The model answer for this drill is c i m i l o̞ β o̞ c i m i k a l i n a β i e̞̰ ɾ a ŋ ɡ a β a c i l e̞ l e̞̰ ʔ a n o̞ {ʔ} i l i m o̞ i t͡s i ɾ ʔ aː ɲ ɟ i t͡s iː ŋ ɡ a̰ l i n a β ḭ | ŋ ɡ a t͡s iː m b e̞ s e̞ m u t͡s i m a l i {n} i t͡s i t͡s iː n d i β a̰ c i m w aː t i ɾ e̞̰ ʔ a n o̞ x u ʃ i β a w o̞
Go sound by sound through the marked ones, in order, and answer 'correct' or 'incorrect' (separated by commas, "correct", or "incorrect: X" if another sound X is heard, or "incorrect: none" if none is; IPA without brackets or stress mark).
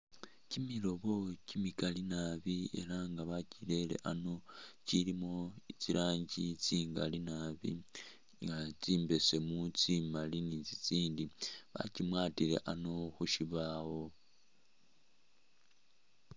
incorrect: c, correct